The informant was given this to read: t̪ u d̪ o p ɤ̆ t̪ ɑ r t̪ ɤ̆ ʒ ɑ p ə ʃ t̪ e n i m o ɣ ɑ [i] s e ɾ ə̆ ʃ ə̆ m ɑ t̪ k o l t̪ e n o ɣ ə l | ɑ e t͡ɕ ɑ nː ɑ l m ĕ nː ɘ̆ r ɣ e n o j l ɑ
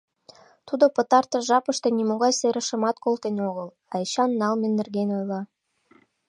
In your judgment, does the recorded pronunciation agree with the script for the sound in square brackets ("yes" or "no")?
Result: no